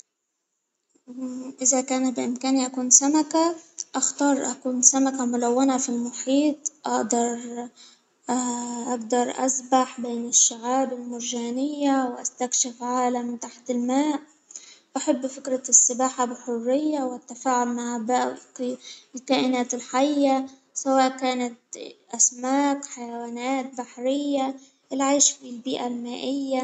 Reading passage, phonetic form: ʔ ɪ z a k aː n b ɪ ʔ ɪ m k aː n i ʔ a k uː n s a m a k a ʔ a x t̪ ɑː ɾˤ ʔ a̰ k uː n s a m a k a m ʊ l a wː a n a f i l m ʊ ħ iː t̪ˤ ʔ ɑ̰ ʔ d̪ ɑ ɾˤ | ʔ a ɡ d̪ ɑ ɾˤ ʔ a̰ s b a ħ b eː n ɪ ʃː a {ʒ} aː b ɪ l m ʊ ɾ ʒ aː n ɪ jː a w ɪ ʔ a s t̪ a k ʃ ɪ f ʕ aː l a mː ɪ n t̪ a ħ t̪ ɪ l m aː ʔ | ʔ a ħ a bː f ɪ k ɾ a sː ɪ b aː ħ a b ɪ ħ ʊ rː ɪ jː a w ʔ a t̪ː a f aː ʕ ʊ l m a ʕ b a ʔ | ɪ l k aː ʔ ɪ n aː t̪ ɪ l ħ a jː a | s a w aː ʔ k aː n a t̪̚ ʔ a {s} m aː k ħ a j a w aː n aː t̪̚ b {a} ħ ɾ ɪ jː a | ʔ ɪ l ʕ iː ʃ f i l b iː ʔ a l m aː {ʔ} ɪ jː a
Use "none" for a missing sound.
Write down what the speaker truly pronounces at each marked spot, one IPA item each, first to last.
ʕ, s, a, ʔ

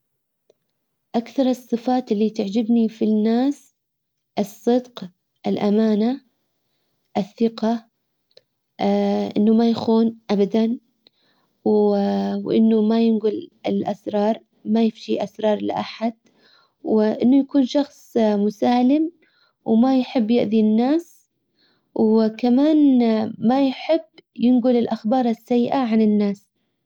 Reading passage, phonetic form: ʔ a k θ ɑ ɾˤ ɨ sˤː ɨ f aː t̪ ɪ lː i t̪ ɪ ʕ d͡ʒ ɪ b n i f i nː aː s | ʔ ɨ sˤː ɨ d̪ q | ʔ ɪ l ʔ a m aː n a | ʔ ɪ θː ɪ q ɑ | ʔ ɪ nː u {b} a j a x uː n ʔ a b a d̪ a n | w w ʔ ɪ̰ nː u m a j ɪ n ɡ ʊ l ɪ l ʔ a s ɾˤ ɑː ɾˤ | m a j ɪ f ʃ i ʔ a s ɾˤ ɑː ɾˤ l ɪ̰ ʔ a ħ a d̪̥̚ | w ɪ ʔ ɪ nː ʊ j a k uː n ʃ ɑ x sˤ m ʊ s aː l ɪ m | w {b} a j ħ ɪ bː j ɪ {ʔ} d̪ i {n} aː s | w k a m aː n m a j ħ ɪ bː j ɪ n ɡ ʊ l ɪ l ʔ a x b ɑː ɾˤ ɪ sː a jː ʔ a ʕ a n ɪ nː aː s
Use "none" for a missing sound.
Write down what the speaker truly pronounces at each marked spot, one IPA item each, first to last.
m, m, ʔ, nː

